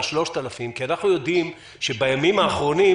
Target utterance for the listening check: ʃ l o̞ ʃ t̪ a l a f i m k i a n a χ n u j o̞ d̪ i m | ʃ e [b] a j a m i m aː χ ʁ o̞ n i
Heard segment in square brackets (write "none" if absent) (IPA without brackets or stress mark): b